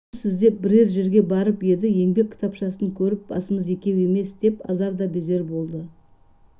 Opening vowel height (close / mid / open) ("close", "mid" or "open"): close